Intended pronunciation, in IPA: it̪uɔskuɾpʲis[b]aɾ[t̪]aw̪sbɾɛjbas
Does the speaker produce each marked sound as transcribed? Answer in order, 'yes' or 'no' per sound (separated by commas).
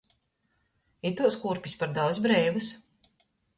no, no